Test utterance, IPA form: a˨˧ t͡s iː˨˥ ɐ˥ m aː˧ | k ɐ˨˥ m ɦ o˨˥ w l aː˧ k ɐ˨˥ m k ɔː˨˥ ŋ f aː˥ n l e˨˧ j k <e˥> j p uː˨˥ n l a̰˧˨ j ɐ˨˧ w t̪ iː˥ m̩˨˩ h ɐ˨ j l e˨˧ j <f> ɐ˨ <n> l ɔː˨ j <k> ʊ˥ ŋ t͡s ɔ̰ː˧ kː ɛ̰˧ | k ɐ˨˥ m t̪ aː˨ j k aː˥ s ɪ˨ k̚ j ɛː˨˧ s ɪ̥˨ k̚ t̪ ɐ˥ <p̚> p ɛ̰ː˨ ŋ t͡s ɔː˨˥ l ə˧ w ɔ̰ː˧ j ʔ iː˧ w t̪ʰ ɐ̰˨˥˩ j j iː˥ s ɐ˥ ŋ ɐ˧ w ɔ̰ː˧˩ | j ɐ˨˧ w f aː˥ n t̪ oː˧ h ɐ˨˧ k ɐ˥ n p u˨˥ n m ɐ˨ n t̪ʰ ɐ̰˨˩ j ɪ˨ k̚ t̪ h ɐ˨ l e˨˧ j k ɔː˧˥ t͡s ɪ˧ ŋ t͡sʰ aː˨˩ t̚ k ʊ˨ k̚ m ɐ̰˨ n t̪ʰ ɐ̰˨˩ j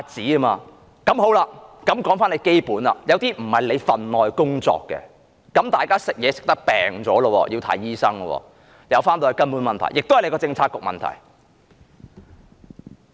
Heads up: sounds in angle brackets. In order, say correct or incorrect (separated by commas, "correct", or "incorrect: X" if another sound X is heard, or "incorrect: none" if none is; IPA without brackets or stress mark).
correct, correct, correct, correct, incorrect: k̚